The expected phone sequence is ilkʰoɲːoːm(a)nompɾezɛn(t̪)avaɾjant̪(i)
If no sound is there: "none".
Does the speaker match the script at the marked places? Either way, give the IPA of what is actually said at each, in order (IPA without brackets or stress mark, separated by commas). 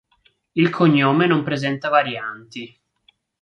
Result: e, t̪, i